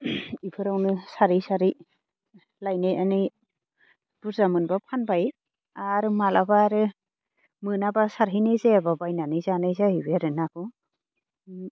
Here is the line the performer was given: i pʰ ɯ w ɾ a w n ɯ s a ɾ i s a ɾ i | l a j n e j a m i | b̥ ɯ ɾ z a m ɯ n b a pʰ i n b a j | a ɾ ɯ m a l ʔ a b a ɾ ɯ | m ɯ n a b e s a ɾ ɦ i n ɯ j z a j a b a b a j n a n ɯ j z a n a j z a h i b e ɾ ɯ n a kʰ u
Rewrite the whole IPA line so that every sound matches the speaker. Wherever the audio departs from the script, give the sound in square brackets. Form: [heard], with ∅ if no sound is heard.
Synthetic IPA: i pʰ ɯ [∅] ɾ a w n ɯ s a ɾ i s a ɾ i | l a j n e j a [n] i | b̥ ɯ ɾ z a m ɯ n b a pʰ [a] n b a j | a ɾ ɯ m a l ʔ a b a ɾ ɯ | m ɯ n a b [a] s a ɾ ɦ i n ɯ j z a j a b a b a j n a n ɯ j z a n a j z a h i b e ɾ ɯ n a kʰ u